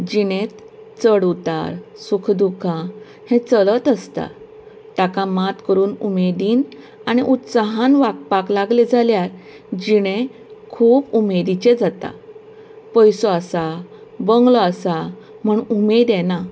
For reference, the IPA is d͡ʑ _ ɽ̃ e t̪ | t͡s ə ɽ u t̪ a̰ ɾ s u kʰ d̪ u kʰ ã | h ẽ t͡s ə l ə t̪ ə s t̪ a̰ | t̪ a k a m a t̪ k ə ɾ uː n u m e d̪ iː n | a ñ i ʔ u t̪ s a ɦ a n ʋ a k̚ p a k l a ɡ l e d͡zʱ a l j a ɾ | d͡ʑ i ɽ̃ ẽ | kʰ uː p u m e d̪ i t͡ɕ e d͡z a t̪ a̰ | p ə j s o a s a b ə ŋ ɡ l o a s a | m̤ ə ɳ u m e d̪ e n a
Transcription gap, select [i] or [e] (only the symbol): i